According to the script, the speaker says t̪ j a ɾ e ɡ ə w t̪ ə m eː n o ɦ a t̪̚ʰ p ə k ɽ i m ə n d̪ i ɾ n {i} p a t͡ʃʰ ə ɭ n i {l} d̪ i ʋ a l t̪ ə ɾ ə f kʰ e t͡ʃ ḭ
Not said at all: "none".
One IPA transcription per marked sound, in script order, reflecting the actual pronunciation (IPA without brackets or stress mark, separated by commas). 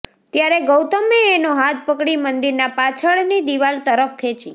a, none